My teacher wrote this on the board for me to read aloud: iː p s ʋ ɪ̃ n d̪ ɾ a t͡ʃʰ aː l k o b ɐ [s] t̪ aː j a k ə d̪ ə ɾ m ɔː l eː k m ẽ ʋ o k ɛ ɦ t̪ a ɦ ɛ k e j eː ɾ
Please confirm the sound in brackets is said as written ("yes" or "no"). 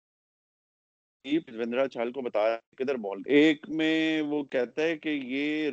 no